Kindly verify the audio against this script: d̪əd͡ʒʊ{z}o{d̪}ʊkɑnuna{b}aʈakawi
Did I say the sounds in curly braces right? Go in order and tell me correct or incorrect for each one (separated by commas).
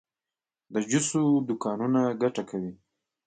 incorrect, correct, incorrect